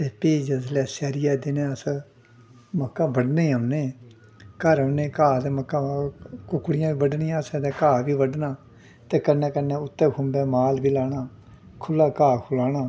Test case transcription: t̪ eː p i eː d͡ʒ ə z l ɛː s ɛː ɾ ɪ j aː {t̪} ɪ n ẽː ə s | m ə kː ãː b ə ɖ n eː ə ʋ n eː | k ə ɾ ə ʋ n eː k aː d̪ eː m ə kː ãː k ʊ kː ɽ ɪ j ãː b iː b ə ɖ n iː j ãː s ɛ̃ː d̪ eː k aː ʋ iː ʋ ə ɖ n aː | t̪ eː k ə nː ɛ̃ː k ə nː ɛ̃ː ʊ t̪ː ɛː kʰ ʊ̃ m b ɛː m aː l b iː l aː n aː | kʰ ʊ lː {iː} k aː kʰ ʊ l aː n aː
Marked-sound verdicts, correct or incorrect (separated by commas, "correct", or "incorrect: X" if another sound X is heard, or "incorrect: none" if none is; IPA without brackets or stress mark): incorrect: d̪, incorrect: aː